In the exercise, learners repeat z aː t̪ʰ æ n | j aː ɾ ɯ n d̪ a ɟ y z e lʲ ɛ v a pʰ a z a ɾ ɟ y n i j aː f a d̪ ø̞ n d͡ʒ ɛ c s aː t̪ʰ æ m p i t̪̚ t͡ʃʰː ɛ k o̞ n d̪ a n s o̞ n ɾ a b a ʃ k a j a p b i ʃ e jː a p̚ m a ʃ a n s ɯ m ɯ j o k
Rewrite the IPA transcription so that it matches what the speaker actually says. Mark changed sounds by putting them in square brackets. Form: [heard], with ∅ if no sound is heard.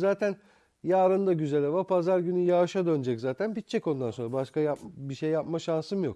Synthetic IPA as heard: z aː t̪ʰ æ n | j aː ɾ ɯ n d̪ a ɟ y z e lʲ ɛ v a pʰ a z a ɾ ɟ y n [y] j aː [ʃ] a d̪ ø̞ n d͡ʒ ɛ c [z] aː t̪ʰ æ [n] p i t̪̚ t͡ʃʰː ɛ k o̞ n d̪ a n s o̞ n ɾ a b a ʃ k a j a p b i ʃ e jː a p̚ m a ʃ a n s ɯ m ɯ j o k